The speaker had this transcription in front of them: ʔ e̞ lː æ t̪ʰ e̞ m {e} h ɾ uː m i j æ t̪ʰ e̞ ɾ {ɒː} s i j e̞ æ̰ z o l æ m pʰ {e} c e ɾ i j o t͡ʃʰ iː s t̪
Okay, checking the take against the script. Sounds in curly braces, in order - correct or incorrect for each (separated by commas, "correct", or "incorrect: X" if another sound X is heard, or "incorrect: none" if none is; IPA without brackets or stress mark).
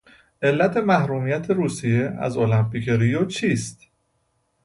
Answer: incorrect: æ, incorrect: uː, incorrect: i